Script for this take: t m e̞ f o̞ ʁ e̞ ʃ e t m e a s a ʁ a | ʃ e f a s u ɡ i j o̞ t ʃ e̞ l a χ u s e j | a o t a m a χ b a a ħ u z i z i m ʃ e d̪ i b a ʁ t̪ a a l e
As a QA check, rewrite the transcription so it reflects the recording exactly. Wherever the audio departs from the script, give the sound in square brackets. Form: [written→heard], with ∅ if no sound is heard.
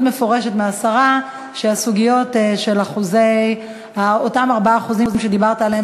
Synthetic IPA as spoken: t m e̞ f o̞ ʁ e̞ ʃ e t m e a s a ʁ a | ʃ e [f→∅] a s u ɡ i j o̞ t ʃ e̞ l a χ u [s→z] e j | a o t a m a [χ→ʁ] b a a [ħ→χ] u z i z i m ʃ e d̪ i b a ʁ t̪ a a l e